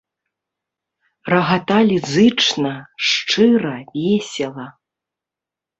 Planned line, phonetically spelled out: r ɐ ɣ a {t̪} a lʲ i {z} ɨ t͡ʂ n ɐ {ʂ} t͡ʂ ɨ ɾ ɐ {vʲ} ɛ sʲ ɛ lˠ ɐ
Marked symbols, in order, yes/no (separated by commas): yes, yes, yes, yes